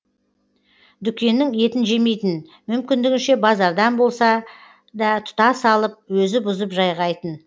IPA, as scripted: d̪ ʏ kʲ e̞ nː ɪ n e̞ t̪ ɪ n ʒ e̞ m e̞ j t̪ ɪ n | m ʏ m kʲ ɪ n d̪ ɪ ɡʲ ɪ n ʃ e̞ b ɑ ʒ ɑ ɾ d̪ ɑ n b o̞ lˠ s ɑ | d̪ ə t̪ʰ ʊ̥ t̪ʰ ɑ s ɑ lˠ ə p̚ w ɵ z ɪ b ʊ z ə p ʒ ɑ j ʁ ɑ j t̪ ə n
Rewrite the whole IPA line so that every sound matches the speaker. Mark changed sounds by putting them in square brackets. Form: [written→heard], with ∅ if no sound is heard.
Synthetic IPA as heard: d̪ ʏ kʲ e̞ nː ɪ [n→ŋ] e̞ t̪ ɪ n ʒ e̞ m e̞ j t̪ ɪ n | m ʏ m kʲ ɪ n d̪ ɪ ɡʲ ɪ n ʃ e̞ b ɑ [ʒ→z] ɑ ɾ d̪ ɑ n b o̞ lˠ s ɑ | d̪ [ə→ɑ] t̪ʰ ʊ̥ [t̪ʰ→t̪] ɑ s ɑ lˠ ə p̚ w ɵ z ɪ b ʊ z ə p ʒ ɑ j ʁ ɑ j t̪ ə n